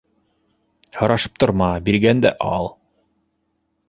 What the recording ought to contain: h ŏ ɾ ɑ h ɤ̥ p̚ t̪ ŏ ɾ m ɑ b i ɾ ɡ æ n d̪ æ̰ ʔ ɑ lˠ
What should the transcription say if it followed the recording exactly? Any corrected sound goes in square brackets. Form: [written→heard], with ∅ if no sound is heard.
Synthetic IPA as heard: h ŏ ɾ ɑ [h→ʃ] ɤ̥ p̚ t̪ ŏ ɾ m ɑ b i ɾ ɡ æ n d̪ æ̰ ʔ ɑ lˠ